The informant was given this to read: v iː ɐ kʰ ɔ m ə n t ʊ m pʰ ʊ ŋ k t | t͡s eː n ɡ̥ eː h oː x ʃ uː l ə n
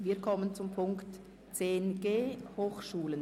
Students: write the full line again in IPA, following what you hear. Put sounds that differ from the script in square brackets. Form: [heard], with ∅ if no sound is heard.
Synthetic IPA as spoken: v iː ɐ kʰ ɔ m ə n [t͡s] ʊ m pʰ ʊ ŋ k t | t͡s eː n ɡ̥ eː h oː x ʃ uː l ə n